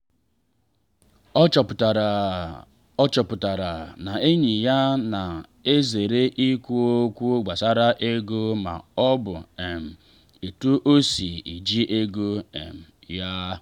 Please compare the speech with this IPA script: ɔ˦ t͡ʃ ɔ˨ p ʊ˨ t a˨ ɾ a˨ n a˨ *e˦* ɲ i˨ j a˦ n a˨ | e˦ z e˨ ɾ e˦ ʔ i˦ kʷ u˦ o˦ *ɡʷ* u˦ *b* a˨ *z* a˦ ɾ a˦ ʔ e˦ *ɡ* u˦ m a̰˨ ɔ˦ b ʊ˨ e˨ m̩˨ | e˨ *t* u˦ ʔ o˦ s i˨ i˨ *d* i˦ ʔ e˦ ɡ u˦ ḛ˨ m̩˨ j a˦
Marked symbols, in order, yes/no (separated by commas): yes, no, no, no, yes, yes, no